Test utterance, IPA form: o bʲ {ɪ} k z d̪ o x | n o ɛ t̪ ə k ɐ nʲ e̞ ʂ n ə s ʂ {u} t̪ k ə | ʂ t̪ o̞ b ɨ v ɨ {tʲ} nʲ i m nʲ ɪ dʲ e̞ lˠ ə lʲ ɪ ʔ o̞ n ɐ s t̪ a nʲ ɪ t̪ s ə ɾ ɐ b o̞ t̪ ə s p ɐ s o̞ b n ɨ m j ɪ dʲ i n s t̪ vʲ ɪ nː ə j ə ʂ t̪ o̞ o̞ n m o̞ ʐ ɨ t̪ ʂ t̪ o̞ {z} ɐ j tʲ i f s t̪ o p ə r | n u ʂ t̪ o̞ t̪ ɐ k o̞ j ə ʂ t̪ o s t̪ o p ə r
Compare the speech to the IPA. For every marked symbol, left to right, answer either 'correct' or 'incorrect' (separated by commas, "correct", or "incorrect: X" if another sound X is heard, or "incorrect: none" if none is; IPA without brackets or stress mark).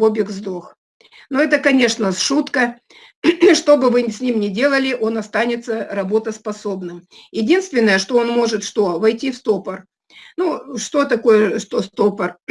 correct, correct, incorrect: sʲ, incorrect: v